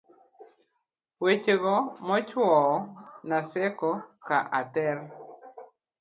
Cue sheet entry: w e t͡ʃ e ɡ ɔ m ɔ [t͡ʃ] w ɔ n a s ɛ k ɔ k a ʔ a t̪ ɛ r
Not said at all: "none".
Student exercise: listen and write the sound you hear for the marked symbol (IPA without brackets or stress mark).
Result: t͡ʃ